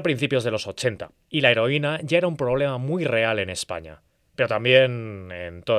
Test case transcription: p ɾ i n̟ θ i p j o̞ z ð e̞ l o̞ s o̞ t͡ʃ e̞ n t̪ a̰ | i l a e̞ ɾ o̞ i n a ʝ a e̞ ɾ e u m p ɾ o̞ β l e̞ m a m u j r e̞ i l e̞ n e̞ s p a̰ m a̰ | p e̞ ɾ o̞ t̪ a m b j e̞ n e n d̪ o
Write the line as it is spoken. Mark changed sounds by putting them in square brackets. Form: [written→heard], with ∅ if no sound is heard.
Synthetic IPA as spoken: p ɾ i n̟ θ i p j o̞ z ð e̞ l o̞ s o̞ t͡ʃ e̞ n t̪ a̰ | i l a e̞ ɾ o̞ i n a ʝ a e̞ ɾ [e→a] u m p ɾ o̞ β l e̞ m a m u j r e̞ [i→a] l e̞ n e̞ s p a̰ [m→ɲ] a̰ | p e̞ ɾ o̞ t̪ a m b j e̞ n e n [d̪→t̪] o